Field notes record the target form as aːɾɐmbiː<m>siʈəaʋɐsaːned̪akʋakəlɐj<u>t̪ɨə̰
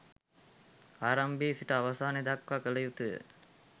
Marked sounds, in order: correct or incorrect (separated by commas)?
incorrect, correct